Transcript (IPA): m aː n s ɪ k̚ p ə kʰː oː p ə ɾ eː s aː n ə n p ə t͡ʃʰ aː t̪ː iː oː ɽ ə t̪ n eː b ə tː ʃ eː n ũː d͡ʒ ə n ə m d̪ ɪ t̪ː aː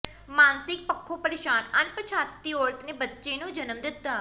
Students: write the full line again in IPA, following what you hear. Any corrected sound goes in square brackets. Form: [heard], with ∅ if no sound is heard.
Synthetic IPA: m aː n s ɪ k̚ p ə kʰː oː p ə ɾ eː [ʃ] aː n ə n p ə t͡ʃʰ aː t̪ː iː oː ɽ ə t̪ n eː b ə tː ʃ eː n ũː d͡ʒ ə n ə m d̪ ɪ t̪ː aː